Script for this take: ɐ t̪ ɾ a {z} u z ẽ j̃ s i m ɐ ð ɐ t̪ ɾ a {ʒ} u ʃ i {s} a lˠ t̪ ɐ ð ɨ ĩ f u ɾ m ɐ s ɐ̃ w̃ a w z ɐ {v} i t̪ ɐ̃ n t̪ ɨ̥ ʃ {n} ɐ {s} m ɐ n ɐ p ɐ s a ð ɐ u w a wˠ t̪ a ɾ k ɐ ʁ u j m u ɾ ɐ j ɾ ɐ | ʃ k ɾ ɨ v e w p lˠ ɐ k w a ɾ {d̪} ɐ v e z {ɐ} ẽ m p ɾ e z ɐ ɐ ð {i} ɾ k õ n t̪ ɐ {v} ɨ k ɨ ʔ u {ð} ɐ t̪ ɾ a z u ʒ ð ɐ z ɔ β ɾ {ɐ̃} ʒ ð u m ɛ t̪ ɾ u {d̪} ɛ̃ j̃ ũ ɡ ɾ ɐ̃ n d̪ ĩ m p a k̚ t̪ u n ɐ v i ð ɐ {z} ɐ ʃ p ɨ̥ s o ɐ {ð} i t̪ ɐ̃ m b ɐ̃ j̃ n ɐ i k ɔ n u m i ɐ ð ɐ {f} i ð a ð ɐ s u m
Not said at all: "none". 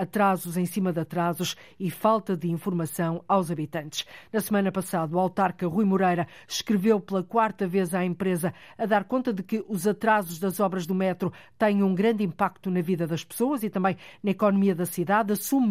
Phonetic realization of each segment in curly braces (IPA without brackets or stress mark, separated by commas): z, z, f, β, n, s, t̪, a, a, ð, z, ɐ, t̪, ð, z, s